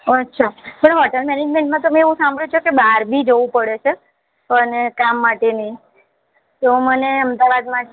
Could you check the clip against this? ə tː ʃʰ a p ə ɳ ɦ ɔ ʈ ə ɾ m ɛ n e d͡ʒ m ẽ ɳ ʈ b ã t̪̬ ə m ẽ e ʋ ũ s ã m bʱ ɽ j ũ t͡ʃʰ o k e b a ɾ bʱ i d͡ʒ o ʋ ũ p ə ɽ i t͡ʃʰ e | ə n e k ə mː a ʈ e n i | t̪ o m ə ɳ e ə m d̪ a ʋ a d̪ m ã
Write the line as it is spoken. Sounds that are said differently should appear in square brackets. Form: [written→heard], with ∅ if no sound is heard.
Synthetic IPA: ə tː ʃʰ a p ə ɳ ɦ ɔ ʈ ə [ɾ→l] m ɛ n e d͡ʒ m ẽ ɳ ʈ [b→m] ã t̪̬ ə m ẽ e ʋ ũ s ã m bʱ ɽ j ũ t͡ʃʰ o k e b a ɾ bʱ i d͡ʒ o ʋ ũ p ə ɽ [i→e] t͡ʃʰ e | ə n e k [ə→a] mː a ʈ e n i | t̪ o m ə [ɳ→n] e ə m d̪ a ʋ a d̪ m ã